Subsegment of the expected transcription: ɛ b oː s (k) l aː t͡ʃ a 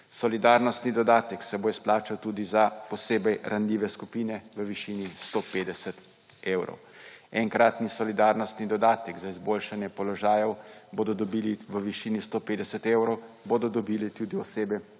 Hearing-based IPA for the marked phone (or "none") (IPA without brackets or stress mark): p